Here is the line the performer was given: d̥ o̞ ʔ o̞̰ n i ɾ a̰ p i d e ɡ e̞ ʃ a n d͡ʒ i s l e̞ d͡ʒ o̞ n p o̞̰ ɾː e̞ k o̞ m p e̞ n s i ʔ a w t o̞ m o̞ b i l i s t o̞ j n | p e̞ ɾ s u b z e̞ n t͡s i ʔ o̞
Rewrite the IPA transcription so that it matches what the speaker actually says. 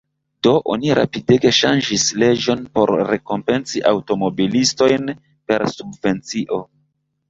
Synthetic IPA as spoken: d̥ o̞ ʔ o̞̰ n i ɾ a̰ p i d e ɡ e̞ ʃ a n d͡ʒ i s l e̞ d͡ʒ o̞ n p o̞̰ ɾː e̞ k o̞ m p e̞ n s i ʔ a w t o̞ m o̞ b i l i s t o̞ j n | p e̞ ɾ s u b v e̞ n t͡s i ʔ o̞